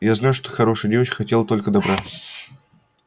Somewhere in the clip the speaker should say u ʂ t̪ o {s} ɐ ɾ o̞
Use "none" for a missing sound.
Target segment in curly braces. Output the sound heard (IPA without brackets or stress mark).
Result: x